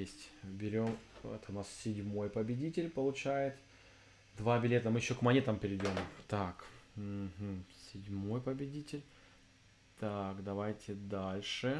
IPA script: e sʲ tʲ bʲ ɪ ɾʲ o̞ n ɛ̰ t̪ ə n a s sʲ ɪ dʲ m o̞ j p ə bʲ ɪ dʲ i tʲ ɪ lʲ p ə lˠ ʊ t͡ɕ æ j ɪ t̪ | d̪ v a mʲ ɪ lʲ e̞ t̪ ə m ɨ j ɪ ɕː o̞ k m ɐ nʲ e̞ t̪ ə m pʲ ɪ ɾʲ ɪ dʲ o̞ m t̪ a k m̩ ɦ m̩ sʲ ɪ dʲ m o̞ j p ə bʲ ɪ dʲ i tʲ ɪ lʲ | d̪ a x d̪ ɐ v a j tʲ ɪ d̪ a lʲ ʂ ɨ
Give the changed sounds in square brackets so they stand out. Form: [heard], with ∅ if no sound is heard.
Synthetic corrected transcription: e sʲ tʲ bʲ ɪ ɾʲ o̞ [m] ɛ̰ t̪ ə n a s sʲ ɪ dʲ m o̞ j p ə bʲ ɪ dʲ i tʲ ɪ lʲ p ə lˠ ʊ t͡ɕ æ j ɪ t̪ | d̪ v a [bʲ] ɪ lʲ e̞ t̪ ə m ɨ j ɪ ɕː o̞ k m ɐ nʲ e̞ t̪ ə m pʲ ɪ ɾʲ ɪ dʲ o̞ m t̪ a k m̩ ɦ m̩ sʲ ɪ dʲ m o̞ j p ə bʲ ɪ dʲ i tʲ ɪ lʲ | [t̪] a [k] d̪ ɐ v a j tʲ ɪ d̪ a lʲ ʂ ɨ